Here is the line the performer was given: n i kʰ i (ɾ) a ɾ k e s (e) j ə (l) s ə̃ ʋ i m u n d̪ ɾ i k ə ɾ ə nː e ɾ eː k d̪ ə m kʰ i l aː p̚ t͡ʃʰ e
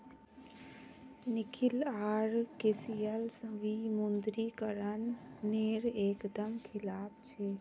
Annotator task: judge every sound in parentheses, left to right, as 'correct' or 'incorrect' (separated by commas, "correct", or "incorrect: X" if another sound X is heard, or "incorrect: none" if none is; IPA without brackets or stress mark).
incorrect: l, incorrect: i, correct